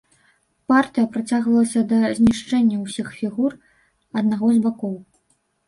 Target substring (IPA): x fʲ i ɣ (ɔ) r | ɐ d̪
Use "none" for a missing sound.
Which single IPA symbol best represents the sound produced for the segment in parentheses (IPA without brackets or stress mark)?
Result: u